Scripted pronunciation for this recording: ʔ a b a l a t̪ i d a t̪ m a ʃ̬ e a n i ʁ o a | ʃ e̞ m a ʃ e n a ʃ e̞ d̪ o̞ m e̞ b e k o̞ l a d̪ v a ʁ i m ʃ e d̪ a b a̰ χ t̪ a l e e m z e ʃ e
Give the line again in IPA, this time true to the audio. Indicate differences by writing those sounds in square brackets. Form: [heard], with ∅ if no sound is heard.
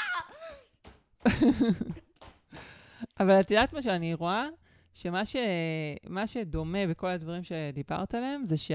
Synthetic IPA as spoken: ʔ a [v] a l a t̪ i d a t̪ m a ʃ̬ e a n i ʁ o a | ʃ e̞ m a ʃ e [m] a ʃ e̞ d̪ o̞ m e̞ b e k o̞ l a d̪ v a ʁ i m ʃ e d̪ [i] b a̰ [ʁ] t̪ a l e e m z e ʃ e